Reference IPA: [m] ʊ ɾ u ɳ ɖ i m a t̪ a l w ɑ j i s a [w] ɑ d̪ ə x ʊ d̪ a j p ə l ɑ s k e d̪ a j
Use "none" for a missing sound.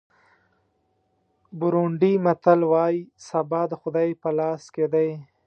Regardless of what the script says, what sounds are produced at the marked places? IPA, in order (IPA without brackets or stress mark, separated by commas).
b, b